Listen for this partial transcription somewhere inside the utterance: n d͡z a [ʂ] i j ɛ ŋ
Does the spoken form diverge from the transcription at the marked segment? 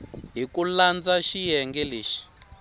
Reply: yes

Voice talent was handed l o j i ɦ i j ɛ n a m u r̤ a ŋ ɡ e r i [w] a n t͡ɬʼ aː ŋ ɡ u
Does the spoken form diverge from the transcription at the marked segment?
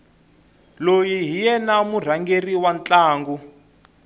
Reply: no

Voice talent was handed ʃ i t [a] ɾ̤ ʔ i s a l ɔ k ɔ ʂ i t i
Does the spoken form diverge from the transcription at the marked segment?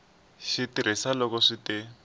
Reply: yes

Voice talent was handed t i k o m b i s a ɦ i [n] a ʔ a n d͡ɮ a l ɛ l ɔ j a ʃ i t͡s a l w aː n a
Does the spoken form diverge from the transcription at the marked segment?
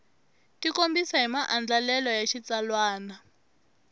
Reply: yes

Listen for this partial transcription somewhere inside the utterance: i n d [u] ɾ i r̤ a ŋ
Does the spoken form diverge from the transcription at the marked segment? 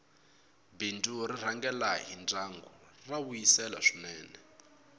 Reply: no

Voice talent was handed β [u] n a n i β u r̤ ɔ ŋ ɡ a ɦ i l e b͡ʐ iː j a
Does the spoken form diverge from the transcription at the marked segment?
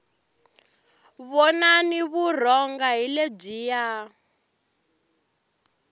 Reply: yes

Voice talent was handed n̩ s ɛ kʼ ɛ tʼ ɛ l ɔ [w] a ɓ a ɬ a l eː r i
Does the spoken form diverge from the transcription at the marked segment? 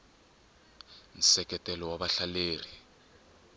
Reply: no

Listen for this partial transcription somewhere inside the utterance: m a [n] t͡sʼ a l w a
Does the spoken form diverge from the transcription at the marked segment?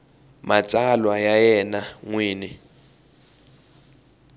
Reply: yes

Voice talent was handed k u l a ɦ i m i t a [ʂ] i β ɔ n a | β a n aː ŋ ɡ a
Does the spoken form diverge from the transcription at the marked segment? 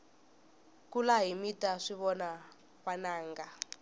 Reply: no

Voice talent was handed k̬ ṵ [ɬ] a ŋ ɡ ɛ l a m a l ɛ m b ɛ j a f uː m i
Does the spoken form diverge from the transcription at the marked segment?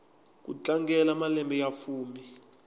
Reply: yes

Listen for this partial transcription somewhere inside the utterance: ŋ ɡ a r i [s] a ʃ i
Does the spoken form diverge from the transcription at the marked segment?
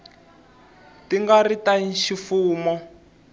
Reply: yes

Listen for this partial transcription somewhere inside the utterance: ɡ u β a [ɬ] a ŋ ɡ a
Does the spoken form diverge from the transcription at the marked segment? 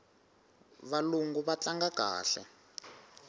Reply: yes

